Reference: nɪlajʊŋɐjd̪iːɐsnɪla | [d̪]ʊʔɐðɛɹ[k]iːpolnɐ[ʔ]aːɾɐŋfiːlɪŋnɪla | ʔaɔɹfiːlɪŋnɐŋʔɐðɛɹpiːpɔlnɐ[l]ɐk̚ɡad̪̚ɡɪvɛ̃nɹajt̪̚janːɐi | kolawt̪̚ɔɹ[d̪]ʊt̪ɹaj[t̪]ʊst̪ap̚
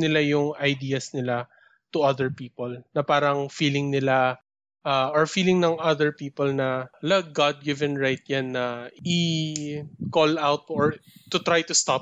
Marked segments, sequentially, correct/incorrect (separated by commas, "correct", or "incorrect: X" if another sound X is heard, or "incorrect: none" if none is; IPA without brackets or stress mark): incorrect: t̪, incorrect: p, incorrect: p, correct, incorrect: t̪, correct